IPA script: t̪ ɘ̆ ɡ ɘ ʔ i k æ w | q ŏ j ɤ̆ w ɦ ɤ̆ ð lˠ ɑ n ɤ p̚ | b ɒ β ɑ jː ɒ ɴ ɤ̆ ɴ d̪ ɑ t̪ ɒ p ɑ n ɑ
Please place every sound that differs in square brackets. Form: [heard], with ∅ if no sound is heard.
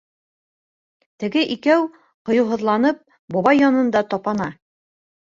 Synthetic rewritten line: t̪ ɘ̆ ɡ ɘ ʔ i k æ w | q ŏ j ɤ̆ w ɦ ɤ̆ ð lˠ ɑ n ɤ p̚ | b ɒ β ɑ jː ɒ [n] ɤ̆ [n] d̪ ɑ t̪ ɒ p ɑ n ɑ